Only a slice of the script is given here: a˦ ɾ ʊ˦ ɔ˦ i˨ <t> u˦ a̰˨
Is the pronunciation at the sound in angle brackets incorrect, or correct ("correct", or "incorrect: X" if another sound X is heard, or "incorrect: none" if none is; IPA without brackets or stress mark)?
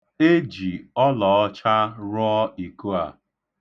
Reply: incorrect: k